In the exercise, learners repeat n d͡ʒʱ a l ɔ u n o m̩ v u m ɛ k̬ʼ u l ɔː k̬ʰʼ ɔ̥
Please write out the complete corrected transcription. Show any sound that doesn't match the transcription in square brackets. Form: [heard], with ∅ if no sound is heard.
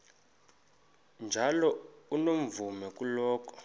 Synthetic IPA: n d͡ʒʱ a l ɔ u n o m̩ v u m ɛ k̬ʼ u l ɔː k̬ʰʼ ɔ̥